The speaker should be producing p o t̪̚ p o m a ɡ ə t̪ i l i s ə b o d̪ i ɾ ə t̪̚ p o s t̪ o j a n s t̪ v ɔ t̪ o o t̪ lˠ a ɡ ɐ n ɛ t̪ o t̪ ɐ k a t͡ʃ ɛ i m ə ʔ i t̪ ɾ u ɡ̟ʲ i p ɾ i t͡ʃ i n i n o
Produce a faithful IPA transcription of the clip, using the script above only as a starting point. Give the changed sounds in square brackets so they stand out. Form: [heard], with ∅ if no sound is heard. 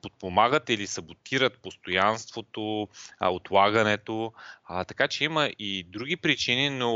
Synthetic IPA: p o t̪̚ p o m a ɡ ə t̪ i l i s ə b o [t̪] i ɾ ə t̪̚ p o s t̪ o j a n s t̪ v [o] t̪ o o t̪ lˠ a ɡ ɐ n ɛ t̪ o t̪ ɐ k a t͡ʃ ɛ i m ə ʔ i [d̪] ɾ u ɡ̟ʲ i p ɾ i t͡ʃ i n i n o